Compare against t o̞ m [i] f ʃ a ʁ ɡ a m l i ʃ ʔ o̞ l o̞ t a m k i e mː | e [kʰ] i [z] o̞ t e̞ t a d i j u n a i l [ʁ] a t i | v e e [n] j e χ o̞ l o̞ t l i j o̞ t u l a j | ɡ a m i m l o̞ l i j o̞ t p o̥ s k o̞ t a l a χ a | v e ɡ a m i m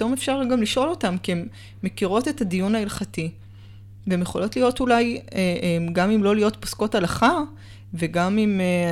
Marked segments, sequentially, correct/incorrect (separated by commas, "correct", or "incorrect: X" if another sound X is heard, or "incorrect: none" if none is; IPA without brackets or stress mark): incorrect: e, incorrect: k, incorrect: ʁ, incorrect: χ, incorrect: m